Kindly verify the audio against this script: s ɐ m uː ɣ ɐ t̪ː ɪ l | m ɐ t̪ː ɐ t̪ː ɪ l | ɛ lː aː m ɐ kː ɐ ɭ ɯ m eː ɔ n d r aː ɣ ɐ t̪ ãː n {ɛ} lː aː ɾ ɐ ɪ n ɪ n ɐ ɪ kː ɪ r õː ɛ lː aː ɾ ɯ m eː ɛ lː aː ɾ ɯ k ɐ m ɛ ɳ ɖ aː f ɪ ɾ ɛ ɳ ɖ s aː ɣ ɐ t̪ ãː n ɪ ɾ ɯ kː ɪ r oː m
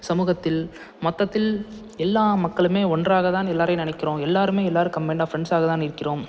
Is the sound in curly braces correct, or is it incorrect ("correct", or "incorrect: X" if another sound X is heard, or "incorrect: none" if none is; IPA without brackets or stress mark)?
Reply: correct